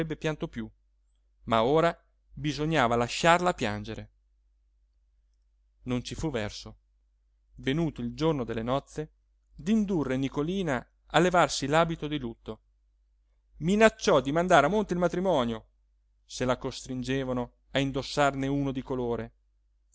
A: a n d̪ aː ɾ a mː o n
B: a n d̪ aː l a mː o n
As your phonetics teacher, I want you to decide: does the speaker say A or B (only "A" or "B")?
A